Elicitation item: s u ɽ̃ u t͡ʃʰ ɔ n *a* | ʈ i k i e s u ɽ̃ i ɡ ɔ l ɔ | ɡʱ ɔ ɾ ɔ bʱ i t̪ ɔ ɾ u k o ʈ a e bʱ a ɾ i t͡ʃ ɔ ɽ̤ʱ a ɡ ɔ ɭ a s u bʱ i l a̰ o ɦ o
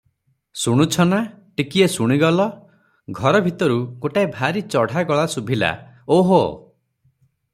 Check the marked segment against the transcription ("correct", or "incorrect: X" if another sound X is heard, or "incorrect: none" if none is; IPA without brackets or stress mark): correct